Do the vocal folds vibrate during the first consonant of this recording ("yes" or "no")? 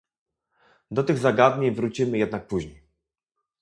yes